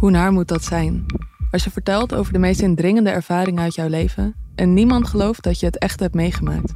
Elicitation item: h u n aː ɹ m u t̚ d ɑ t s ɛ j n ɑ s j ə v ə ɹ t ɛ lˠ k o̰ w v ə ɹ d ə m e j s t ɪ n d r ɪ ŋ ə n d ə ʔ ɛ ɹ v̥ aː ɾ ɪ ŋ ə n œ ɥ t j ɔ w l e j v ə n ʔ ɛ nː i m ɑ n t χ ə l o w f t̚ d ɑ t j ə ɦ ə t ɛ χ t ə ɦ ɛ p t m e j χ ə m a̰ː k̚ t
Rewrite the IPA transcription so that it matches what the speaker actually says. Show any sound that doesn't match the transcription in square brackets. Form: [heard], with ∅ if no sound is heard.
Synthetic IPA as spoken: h u n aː ɹ m u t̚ d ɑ t s ɛ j n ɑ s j ə v ə ɹ t ɛ lˠ [t] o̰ w v ə ɹ d ə m e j s t ɪ n d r ɪ ŋ ə n d ə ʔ ɛ ɹ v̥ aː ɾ ɪ ŋ ə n œ ɥ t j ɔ w l e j v ə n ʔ ɛ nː i m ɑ n t χ ə l o w f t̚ d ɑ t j ə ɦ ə t ɛ χ t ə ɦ ɛ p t m e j χ ə m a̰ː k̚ t